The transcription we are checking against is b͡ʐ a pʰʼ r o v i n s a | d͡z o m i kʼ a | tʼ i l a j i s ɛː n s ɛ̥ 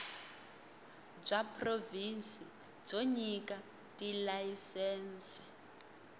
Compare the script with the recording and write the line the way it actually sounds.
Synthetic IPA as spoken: b͡ʐ a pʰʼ r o v i n s i | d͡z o ɲ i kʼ a | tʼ i l a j i s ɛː n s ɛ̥